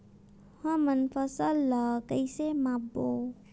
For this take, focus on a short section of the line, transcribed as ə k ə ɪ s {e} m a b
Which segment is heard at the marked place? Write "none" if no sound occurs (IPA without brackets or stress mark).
e